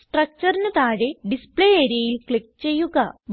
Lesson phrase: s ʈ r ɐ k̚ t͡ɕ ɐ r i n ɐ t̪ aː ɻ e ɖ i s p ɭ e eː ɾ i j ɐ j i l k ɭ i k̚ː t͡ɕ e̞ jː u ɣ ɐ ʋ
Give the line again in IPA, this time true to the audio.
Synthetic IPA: s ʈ r ɐ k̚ t͡ɕ ɐ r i n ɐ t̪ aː ɻ e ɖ i s p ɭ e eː ɾ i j ɐ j i l k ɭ i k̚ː t͡ɕ e̞ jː u ɣ ɐ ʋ